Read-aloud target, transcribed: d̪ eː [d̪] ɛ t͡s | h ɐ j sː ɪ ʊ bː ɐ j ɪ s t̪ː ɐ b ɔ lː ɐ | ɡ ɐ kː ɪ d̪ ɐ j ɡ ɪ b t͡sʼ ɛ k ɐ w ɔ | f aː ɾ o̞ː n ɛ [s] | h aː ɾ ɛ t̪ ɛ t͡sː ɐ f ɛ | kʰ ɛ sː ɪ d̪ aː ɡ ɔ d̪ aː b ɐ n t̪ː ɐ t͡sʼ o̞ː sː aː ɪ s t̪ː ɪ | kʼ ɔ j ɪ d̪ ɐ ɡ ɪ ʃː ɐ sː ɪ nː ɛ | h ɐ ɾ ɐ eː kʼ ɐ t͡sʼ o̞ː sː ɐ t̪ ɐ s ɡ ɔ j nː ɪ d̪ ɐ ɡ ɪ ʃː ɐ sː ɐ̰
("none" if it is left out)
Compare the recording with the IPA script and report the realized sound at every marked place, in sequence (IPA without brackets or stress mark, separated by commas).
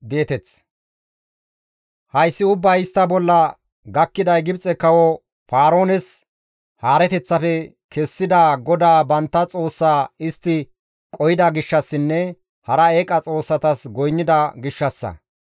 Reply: t̪, s